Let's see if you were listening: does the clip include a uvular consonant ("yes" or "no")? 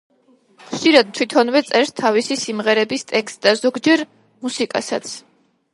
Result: yes